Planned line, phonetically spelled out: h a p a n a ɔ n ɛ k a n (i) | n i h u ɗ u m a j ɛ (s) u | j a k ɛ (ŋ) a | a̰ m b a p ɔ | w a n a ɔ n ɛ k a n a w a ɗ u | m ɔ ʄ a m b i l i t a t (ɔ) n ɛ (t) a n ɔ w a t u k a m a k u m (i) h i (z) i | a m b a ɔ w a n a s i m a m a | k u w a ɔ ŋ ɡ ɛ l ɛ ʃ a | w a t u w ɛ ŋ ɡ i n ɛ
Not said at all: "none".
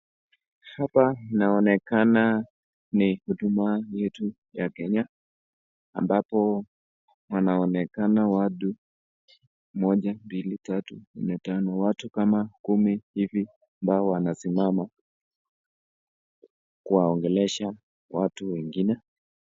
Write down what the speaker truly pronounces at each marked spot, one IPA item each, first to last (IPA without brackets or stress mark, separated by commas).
a, t, ɲ, u, t, i, v